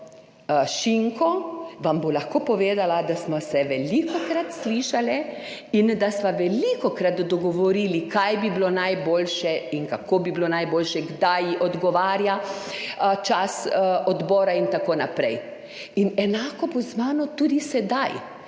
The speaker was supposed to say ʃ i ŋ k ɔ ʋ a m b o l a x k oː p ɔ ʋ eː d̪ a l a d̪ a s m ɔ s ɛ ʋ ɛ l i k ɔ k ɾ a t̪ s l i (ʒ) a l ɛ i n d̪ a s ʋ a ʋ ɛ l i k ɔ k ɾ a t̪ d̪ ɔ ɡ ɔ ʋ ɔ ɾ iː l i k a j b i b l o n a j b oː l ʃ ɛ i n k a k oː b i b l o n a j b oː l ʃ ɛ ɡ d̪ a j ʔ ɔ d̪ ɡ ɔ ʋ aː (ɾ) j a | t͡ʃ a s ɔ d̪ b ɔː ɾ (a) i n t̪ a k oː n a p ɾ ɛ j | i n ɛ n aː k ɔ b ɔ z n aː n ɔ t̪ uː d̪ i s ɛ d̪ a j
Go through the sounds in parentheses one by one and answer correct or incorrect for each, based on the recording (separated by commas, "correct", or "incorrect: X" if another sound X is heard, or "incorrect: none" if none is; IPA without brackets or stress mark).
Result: incorrect: ʃ, correct, correct